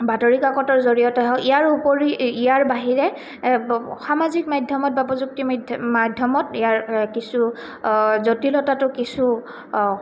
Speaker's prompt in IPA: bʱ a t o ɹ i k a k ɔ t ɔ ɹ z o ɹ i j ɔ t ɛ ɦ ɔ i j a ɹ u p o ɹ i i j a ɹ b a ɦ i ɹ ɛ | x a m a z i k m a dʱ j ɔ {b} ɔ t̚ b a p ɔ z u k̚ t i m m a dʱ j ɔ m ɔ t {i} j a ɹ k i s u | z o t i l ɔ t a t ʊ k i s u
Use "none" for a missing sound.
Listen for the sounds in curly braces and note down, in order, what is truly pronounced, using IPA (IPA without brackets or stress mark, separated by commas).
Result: m, i